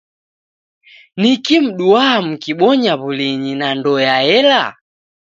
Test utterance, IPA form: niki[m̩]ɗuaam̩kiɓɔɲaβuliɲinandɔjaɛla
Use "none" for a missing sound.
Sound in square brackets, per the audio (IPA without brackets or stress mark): m̩